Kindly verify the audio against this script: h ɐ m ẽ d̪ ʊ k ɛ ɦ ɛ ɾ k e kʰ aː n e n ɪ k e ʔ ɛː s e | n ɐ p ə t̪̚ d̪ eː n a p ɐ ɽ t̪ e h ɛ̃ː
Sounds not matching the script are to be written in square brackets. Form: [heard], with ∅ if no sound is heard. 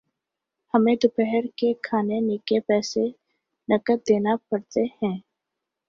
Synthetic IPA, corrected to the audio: h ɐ m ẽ d̪ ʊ [p] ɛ ɦ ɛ ɾ k e kʰ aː n e n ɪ k e [p] ɛː s e | n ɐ [k] ə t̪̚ d̪ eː n a p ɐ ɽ t̪ e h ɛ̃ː